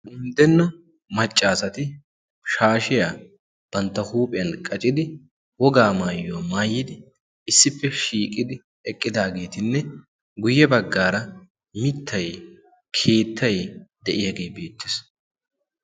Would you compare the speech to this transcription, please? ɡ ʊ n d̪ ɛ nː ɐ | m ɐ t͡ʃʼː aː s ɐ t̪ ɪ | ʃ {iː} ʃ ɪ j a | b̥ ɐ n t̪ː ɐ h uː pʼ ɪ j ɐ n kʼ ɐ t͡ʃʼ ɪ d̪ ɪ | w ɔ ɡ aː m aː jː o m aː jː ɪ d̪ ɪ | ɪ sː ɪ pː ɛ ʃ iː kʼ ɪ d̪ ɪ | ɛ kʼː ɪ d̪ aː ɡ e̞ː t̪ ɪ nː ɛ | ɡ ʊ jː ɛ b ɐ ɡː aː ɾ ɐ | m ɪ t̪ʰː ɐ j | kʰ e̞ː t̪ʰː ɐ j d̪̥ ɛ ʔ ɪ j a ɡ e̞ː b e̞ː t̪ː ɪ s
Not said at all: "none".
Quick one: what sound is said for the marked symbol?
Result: aː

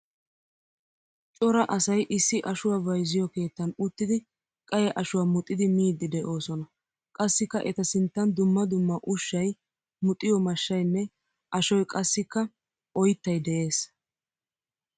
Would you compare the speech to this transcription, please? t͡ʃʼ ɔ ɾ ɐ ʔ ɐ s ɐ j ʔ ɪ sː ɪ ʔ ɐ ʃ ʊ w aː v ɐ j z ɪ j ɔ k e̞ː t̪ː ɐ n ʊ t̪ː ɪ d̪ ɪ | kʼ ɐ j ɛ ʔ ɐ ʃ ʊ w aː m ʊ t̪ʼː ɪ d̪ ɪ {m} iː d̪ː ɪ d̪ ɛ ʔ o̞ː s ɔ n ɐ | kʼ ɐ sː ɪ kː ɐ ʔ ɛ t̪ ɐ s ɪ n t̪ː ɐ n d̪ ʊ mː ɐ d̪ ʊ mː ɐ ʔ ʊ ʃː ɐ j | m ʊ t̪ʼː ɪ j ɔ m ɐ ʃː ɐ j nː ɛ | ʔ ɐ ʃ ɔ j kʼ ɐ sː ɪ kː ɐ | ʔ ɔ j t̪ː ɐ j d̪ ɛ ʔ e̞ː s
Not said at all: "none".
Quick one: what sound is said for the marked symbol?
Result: m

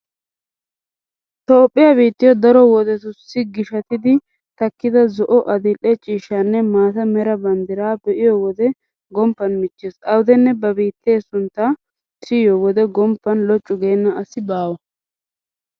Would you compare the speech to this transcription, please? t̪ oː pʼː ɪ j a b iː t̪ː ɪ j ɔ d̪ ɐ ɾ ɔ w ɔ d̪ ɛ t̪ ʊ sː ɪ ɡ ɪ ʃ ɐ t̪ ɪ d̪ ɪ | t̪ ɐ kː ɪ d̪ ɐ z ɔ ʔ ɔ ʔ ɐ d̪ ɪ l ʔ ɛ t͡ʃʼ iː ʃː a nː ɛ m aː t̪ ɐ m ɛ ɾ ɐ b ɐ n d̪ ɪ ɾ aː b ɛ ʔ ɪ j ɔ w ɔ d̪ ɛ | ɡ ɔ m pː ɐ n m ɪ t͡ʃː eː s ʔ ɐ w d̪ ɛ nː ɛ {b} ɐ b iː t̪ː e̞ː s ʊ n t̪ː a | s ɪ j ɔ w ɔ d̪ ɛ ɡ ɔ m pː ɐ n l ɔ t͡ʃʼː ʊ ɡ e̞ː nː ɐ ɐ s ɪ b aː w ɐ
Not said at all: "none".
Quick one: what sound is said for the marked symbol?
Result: b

